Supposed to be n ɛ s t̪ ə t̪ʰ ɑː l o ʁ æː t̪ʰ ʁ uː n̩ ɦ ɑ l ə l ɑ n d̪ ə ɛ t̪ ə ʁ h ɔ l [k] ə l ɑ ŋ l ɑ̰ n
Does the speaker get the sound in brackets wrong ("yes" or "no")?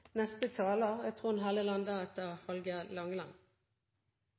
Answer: yes